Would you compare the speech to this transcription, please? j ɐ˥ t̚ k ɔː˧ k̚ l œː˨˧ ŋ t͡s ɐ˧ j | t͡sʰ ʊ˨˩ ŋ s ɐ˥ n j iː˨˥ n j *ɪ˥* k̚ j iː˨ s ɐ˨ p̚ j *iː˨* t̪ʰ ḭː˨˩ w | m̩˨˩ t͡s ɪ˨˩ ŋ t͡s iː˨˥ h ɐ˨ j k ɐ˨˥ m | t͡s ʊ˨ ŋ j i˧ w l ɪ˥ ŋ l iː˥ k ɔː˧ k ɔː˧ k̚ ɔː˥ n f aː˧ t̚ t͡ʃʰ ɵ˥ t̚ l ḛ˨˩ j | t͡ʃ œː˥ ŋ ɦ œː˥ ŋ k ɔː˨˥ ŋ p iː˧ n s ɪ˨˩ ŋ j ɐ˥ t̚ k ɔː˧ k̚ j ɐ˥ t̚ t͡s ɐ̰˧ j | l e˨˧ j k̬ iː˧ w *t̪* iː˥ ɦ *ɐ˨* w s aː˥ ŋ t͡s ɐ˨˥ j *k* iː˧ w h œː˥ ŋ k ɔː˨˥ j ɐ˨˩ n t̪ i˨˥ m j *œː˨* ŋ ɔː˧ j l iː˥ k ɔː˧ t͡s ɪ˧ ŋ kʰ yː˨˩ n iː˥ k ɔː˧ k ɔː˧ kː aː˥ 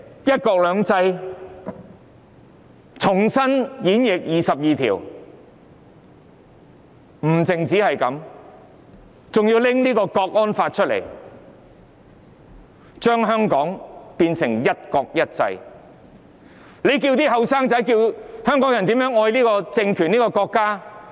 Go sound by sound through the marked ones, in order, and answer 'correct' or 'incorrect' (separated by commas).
incorrect, correct, correct, correct, correct, incorrect